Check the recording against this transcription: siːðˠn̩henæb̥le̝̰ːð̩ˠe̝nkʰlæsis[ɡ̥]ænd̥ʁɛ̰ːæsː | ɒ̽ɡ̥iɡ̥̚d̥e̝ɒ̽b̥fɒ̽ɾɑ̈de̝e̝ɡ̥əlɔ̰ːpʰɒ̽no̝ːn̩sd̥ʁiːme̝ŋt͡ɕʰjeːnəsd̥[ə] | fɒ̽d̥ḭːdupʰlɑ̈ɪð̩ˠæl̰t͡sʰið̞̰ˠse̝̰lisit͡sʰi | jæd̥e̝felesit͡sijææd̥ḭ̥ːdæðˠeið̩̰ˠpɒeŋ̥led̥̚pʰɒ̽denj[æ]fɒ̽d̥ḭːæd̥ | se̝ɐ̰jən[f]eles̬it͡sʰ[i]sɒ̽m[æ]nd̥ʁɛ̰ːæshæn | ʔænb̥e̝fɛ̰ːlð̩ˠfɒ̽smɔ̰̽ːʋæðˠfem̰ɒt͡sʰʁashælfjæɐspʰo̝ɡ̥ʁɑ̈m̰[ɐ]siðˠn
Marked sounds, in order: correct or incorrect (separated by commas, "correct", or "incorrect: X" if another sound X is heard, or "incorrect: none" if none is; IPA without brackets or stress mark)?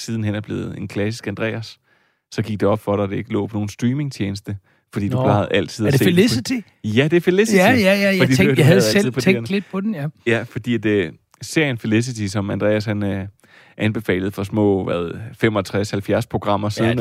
correct, correct, correct, correct, correct, correct, correct